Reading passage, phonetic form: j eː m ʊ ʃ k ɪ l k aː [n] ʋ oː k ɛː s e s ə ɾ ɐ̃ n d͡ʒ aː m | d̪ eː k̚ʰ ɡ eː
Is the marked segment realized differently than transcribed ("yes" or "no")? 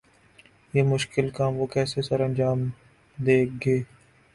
yes